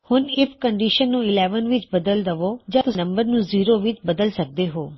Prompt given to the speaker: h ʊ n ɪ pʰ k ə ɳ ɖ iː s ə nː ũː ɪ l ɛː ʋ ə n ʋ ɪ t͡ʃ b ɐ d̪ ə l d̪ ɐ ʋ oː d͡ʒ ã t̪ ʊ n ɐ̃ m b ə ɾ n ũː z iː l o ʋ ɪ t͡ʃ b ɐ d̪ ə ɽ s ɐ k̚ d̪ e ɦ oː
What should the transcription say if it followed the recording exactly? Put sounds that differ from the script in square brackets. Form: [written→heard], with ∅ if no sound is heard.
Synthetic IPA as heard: h ʊ n ɪ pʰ k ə ɳ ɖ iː [s→ʃ] ə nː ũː ɪ l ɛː ʋ ə n ʋ ɪ t͡ʃ b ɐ d̪ ə l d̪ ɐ ʋ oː d͡ʒ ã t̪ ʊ n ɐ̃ m b ə ɾ n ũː z iː [l→ɾ] o ʋ ɪ t͡ʃ b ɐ d̪ ə [ɽ→l] s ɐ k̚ d̪ e ɦ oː